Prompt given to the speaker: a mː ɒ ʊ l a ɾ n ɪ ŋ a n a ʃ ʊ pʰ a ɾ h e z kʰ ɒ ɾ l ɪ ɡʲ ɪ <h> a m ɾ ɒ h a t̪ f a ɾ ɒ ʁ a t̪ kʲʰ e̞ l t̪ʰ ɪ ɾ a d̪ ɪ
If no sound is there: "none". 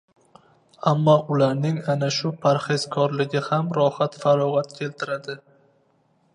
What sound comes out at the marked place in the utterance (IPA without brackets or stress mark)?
h